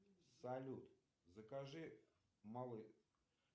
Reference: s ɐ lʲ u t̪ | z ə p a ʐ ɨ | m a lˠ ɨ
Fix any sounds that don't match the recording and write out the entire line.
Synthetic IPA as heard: s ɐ lʲ u t̪ | z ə k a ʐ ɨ | m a lˠ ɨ